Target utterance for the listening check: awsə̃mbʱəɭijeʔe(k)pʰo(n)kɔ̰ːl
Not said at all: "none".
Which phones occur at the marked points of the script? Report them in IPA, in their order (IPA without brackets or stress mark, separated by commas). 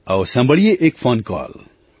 k, n